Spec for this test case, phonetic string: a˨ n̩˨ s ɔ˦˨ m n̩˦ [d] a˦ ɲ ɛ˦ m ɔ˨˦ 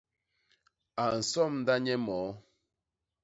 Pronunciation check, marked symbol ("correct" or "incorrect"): correct